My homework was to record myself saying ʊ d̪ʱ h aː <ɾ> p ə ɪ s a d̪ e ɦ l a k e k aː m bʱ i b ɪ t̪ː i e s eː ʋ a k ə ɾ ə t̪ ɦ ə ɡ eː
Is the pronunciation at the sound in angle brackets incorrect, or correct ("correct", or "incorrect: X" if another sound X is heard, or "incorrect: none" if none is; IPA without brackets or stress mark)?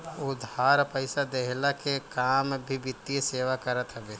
correct